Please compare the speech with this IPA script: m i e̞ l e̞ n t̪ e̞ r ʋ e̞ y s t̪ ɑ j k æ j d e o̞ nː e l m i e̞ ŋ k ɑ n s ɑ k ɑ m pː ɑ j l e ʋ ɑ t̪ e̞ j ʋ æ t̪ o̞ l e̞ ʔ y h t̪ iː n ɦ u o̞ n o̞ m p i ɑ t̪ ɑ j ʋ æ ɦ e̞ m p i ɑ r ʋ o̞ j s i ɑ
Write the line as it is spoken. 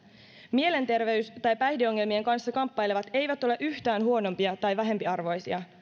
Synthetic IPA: m i e̞ l e̞ n t̪ e̞ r ʋ e̞ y s t̪ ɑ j p æ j d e o̞ ŋː e l m i e̞ ŋ k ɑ n sː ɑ k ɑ m pː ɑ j l e ʋ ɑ t̪ e̞ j ʋ æ t̪ o̞ l e̞ ʔ y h t̪ æː n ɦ u o̞ n o̞ m p i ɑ t̪ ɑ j ʋ æ ɦ e̞ m p i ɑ r ʋ o̞ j s i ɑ